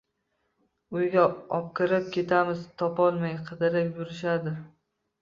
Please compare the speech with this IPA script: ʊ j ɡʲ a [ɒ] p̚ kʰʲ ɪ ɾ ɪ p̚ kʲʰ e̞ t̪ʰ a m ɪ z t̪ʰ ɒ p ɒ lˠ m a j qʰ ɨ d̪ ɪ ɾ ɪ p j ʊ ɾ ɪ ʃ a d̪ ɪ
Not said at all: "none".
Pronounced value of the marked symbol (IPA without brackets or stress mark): ɒ